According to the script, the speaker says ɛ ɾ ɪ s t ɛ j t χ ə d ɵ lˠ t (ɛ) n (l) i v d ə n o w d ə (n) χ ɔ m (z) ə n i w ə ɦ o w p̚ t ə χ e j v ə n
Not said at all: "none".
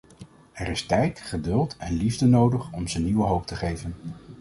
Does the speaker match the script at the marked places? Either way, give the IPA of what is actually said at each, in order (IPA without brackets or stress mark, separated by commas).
ɛ, l, none, z